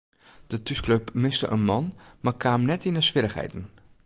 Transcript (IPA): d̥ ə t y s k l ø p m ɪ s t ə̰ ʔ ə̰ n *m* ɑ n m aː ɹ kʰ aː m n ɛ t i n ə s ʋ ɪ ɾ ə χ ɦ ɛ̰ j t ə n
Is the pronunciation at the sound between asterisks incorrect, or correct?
correct